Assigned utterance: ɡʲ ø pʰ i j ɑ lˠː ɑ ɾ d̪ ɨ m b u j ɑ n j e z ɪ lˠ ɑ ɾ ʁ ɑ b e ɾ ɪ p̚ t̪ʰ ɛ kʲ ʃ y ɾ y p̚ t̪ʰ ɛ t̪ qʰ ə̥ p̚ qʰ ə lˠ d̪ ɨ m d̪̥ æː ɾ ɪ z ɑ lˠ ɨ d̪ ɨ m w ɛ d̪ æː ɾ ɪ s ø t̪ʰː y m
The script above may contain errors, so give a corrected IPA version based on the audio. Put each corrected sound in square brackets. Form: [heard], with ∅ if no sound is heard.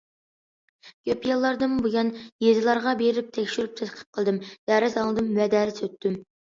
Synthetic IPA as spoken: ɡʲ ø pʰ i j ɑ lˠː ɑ ɾ d̪ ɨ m b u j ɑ n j e z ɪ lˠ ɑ ɾ ʁ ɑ b e ɾ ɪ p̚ t̪ʰ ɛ kʲ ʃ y ɾ y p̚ t̪ʰ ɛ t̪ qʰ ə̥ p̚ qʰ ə lˠ d̪ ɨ m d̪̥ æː ɾ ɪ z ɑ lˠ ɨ d̪ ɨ m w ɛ d̪ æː ɾ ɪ s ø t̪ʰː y m